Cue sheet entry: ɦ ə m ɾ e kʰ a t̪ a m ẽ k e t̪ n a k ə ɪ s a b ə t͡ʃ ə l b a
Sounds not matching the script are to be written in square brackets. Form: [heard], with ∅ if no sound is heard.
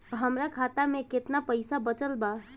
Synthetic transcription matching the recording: ɦ ə m ɾ [a] kʰ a t̪ a m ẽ k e t̪ n a [p] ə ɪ s a b ə t͡ʃ ə l b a

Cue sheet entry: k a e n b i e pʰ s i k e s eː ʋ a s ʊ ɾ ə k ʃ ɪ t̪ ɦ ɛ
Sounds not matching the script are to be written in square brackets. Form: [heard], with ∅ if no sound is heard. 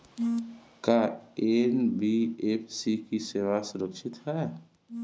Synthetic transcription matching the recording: k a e n b i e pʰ s i k [i] s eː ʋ a s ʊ ɾ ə k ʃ ɪ t̪ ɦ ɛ

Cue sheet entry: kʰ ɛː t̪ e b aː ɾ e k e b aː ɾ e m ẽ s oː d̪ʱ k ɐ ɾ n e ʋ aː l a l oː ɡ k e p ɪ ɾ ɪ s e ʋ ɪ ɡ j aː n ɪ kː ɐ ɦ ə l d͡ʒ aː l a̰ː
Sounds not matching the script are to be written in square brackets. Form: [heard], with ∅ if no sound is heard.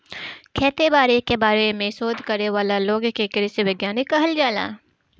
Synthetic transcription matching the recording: kʰ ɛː t̪ e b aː ɾ e k e b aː ɾ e m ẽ s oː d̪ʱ k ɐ ɾ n e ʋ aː l a l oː ɡ k e [k] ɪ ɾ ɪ s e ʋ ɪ ɡ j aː n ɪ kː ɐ ɦ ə l d͡ʒ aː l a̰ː

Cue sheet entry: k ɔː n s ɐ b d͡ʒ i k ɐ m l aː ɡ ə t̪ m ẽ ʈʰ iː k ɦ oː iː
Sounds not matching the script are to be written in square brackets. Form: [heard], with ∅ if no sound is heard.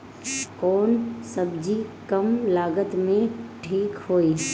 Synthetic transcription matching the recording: k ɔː n s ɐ b d͡ʒ i k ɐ m l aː ɡ ə t̪ m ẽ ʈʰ iː k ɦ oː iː

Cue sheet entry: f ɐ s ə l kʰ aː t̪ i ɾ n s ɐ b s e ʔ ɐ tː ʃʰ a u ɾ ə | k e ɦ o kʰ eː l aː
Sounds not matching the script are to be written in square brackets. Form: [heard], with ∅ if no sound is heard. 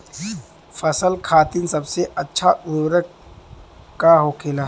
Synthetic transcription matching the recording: f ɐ s ə l kʰ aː t̪ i [∅] n s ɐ b s e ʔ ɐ tː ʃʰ a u ɾ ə | k [a] ɦ o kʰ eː l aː

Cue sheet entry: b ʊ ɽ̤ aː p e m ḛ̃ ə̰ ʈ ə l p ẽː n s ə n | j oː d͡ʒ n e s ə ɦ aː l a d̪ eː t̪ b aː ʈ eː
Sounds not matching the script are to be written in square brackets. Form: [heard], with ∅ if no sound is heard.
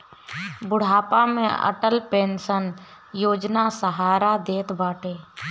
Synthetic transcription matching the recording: b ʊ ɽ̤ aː p [a] m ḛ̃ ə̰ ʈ ə l p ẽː n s ə n | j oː d͡ʒ n [a] s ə ɦ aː [ɾ] a d̪ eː t̪ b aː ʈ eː

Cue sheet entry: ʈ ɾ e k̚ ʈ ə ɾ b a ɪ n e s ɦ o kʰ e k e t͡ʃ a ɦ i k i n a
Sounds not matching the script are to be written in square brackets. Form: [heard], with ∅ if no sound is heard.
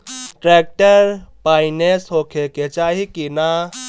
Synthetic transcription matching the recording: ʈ ɾ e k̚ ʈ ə ɾ [p] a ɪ n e s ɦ o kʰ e k e t͡ʃ a ɦ i k i n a

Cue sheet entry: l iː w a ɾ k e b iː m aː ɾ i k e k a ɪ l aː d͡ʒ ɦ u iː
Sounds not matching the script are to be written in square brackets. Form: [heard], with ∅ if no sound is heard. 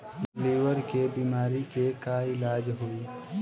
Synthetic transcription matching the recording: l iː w [ə] ɾ k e b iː m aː ɾ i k e k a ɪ l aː d͡ʒ ɦ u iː

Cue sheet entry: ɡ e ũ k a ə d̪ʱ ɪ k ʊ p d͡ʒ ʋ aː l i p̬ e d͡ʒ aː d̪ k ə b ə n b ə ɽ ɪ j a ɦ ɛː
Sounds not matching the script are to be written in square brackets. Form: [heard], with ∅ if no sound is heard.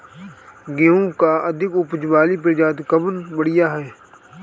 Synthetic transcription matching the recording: ɡ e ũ k a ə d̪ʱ ɪ k ʊ p d͡ʒ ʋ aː l i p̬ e d͡ʒ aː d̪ k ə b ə n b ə ɽ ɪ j a ɦ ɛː

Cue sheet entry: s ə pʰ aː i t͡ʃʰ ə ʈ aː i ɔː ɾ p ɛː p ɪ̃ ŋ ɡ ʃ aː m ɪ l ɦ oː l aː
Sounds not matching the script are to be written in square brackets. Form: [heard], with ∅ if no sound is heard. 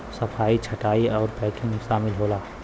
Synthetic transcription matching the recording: s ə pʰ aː i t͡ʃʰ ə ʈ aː i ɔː ɾ p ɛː [k] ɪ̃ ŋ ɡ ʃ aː m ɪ l ɦ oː l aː

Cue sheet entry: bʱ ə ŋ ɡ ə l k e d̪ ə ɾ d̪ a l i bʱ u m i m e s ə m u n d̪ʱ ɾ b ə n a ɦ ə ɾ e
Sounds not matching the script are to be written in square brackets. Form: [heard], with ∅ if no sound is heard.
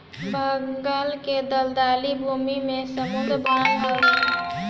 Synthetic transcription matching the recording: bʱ ə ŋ ɡ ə l k e d̪ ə [l] d̪ a l i bʱ u m i m e s ə m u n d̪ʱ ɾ b ə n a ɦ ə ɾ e

